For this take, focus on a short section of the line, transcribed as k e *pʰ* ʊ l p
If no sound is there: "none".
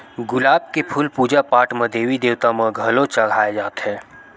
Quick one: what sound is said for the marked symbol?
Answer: pʰ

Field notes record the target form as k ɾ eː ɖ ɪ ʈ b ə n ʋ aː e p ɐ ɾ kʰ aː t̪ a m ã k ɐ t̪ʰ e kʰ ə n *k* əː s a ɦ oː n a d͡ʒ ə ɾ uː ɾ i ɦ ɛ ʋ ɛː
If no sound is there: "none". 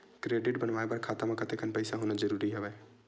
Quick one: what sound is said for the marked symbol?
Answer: p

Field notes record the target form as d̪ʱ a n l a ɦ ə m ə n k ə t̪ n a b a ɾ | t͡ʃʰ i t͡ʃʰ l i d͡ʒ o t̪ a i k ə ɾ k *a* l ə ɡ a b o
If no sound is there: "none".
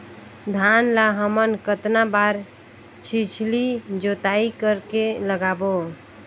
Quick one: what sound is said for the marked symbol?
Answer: e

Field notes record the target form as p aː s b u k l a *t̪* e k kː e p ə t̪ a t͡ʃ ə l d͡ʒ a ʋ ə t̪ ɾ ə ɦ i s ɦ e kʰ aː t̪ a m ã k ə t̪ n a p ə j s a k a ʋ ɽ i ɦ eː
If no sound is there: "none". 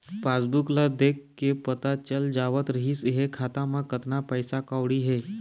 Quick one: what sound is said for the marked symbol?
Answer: d̪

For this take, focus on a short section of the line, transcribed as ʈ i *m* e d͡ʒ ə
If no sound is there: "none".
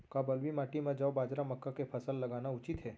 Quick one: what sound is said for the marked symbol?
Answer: m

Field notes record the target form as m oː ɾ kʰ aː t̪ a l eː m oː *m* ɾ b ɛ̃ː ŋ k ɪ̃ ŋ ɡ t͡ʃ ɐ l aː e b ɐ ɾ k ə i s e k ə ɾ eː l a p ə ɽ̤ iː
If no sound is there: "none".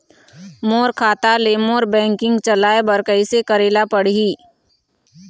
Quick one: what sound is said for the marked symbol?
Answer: none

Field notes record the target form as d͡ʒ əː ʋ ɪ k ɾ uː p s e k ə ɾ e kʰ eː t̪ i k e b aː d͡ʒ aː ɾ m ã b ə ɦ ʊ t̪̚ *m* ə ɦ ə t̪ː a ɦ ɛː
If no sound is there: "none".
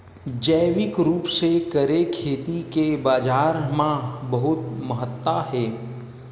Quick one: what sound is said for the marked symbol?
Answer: m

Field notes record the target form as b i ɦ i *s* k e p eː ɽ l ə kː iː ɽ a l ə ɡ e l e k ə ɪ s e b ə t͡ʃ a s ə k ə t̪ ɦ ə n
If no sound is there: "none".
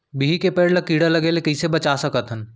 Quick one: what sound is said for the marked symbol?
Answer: none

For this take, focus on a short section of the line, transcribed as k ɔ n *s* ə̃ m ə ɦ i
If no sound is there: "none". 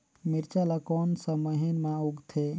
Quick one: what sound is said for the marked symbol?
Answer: s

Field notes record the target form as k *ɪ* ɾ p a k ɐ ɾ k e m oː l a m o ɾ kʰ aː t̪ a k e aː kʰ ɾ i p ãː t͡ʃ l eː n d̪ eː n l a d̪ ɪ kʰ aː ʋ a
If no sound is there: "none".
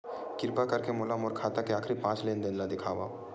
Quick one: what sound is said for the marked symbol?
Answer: ɪ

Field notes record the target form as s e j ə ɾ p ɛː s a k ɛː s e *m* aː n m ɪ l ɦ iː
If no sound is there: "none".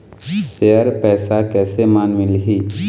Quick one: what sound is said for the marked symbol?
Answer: m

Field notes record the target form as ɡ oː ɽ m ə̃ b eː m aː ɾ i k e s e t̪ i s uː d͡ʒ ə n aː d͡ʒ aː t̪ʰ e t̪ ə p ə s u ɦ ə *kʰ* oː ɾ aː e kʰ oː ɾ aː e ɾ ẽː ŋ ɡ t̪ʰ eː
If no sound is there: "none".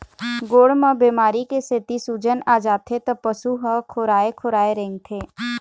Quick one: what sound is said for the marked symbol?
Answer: kʰ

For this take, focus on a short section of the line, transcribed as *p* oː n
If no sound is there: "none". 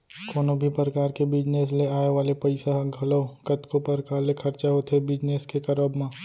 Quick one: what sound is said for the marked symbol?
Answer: k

